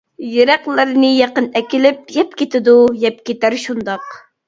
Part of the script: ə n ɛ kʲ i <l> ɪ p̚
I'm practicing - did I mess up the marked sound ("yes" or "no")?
no